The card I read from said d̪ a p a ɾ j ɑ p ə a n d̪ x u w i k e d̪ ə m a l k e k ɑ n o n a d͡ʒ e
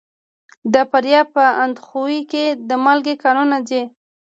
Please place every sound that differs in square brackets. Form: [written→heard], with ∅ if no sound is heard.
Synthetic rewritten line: d̪ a p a ɾ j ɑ p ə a n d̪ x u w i k e d̪ ə m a l [k→ɡ] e k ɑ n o n a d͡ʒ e